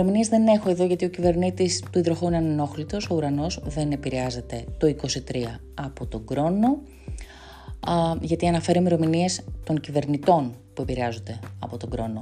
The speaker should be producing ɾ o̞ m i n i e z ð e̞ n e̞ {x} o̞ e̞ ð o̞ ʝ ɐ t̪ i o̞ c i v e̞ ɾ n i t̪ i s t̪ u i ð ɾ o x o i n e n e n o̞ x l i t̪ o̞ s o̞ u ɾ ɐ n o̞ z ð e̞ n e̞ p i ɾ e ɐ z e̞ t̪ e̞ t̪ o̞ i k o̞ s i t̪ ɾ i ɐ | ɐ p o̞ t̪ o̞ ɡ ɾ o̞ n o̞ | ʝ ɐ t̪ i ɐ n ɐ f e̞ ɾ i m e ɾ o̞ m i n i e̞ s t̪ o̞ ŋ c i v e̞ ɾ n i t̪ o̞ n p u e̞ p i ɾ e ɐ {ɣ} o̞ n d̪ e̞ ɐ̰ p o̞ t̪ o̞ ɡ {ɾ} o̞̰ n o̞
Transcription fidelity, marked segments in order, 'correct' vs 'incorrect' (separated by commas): correct, incorrect, correct